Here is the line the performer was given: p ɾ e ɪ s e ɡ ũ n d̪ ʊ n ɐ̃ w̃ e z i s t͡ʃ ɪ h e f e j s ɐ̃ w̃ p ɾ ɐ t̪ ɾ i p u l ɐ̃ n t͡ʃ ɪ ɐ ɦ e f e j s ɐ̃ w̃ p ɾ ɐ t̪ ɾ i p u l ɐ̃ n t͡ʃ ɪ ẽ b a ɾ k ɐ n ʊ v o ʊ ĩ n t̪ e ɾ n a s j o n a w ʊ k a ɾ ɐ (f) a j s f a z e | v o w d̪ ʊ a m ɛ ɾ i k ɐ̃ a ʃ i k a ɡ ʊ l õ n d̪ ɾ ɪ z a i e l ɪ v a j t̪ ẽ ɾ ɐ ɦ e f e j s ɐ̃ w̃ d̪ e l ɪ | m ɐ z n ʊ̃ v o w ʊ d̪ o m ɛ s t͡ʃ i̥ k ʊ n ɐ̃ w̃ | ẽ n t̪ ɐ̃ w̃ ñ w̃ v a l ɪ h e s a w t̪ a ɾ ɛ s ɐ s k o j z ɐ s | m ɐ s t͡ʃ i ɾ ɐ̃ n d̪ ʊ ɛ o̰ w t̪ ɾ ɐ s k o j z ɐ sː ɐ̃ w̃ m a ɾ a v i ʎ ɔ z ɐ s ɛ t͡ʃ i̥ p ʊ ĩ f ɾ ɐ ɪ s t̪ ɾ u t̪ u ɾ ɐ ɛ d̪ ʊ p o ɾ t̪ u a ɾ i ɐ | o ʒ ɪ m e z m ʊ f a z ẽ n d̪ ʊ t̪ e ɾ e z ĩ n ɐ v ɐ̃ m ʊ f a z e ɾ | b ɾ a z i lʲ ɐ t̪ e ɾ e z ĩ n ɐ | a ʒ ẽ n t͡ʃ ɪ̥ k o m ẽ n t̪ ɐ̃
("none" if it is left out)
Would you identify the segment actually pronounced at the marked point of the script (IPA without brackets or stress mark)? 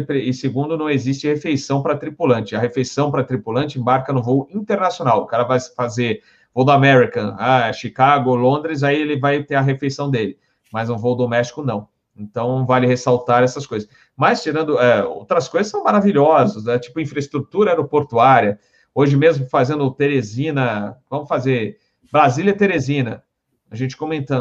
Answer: v